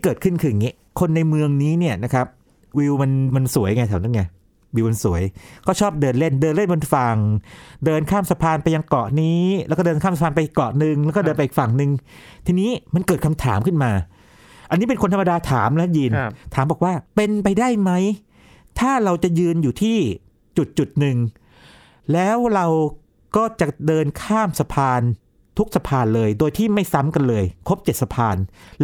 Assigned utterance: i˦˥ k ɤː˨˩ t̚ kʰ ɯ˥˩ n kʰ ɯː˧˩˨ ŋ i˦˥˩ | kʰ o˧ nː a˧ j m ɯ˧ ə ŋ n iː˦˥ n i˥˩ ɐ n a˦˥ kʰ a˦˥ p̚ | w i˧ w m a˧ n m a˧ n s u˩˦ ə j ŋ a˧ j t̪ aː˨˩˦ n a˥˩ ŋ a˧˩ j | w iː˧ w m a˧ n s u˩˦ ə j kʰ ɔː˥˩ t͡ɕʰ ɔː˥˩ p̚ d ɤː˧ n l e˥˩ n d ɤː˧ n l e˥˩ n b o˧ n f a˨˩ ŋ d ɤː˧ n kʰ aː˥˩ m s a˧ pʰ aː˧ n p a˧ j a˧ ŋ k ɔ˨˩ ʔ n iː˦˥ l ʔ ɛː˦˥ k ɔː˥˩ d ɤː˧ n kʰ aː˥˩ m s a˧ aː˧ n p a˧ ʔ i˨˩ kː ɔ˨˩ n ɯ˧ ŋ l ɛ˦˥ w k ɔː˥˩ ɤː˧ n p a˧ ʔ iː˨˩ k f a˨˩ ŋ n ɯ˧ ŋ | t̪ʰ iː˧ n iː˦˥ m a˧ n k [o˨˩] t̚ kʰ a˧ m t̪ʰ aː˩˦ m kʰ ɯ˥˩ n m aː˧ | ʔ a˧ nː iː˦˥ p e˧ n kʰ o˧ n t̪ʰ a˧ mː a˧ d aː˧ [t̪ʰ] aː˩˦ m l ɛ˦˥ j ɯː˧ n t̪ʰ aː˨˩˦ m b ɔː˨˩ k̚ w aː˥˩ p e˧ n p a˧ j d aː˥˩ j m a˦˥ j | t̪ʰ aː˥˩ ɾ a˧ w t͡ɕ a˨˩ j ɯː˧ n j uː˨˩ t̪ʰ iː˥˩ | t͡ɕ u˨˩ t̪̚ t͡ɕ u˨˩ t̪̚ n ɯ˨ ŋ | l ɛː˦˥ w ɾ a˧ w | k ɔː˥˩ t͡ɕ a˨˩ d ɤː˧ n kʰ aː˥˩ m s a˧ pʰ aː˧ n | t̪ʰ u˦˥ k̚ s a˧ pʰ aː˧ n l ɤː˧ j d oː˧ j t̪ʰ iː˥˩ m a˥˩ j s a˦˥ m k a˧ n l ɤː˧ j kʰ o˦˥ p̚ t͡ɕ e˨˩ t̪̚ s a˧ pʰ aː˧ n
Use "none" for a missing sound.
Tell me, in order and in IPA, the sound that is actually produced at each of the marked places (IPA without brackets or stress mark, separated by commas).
ɤ˨˩, t̪ʰ